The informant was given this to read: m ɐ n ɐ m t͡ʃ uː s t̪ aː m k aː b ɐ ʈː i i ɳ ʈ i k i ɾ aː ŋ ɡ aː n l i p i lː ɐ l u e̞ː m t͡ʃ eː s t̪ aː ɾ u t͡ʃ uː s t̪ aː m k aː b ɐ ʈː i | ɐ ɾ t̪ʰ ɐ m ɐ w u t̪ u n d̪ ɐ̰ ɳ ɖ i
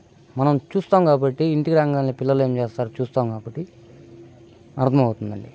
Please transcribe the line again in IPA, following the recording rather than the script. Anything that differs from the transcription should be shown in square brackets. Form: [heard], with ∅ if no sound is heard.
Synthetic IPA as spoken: m ɐ n ɐ m t͡ʃ uː s t̪ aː m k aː b ɐ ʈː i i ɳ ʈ i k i ɾ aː ŋ ɡ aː n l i p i lː ɐ l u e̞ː m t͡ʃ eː s t̪ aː ɾ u t͡ʃ uː s t̪ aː m k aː b ɐ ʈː i | ɐ ɾ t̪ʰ ɐ m ɐ w u t̪ u n d̪ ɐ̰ ɳ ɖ i